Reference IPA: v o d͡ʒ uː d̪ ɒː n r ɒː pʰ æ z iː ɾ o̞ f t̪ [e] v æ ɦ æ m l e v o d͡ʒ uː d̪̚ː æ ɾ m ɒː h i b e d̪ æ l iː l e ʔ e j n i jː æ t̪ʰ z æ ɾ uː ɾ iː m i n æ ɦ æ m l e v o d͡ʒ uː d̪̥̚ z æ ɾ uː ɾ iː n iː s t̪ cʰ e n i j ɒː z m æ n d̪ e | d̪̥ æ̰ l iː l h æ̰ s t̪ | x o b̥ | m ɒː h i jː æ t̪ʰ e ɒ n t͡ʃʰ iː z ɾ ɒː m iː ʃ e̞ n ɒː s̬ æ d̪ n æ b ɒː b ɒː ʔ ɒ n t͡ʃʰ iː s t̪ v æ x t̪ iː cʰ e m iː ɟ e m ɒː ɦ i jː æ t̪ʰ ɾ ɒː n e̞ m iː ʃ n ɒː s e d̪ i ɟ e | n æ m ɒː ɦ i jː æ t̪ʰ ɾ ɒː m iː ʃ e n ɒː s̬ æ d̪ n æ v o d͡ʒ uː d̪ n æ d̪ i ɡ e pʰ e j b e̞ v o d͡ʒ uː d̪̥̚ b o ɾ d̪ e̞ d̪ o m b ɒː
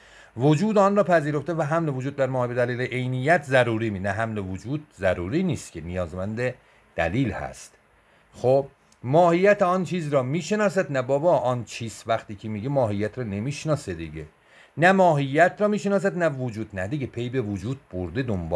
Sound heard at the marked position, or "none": e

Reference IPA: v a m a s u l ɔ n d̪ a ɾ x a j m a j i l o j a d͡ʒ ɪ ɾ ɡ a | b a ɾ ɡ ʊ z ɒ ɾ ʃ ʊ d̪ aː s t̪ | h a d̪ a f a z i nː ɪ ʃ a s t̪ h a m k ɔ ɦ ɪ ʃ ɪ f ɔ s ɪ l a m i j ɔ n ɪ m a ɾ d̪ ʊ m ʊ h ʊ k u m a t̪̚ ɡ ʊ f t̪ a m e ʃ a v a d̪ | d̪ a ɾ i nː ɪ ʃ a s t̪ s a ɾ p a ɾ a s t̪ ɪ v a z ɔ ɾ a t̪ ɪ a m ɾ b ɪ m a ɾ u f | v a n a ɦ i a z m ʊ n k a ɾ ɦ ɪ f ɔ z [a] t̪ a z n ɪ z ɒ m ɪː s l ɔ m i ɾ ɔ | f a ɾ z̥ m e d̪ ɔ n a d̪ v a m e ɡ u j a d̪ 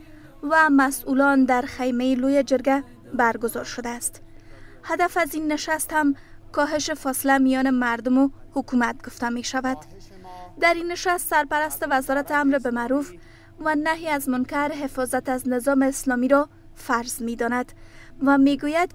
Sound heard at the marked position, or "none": a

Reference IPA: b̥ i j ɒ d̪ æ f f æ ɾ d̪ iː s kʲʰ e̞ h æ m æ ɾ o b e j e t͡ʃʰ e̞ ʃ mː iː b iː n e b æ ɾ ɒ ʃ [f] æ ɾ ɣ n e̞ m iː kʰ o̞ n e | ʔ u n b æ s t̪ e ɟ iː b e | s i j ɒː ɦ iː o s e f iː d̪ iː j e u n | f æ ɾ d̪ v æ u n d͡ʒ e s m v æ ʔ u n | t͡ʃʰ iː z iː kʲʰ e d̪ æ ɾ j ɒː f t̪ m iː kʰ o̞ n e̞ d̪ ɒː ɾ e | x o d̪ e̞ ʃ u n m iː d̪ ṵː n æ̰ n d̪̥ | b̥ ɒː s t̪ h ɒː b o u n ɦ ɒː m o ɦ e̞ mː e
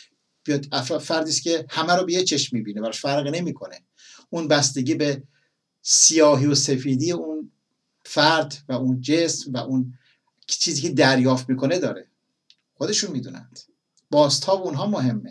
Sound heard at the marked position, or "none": f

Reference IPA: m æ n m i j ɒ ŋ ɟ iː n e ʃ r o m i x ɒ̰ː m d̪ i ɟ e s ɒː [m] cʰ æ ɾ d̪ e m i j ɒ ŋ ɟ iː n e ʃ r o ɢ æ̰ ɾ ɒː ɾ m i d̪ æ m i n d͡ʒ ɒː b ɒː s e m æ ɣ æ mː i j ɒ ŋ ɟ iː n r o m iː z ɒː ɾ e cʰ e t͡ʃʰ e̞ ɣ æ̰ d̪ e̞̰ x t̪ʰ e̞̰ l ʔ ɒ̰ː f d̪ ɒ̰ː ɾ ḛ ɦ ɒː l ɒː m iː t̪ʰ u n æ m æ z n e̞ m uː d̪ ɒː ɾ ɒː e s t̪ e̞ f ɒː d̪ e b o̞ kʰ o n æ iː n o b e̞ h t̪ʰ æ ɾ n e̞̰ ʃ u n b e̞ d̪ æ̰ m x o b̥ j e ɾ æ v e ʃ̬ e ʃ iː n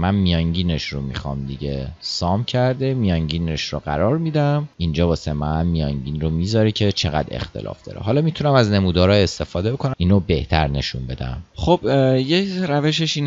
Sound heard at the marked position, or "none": m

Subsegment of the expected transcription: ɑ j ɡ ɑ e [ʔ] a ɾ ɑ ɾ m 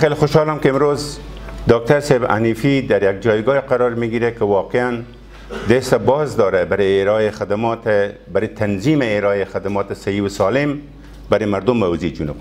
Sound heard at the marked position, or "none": q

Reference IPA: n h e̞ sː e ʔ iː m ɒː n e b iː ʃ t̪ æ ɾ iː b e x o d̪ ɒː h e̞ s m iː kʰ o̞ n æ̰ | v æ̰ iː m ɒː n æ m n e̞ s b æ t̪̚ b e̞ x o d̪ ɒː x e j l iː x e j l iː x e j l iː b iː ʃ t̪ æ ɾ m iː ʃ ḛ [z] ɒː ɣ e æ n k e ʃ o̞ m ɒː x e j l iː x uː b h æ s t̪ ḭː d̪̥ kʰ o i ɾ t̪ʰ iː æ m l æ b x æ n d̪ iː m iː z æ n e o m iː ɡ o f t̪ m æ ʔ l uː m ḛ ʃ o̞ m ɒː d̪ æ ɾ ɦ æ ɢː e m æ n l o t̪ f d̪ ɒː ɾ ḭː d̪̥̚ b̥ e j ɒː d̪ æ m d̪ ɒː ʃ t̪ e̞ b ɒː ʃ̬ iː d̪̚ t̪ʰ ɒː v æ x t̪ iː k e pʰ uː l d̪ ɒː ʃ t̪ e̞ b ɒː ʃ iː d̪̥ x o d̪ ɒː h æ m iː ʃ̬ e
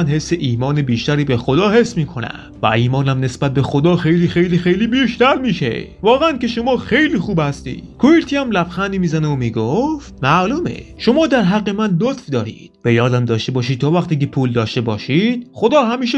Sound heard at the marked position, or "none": v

